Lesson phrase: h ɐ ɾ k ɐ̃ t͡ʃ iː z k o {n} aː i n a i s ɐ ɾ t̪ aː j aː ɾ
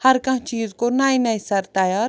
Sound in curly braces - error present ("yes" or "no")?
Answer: no